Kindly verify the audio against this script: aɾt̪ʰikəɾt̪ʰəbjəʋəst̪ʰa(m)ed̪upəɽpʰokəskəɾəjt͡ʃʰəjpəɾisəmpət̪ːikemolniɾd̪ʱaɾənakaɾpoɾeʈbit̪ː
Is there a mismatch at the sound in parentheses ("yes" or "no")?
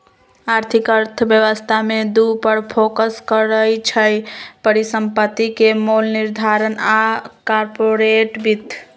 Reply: no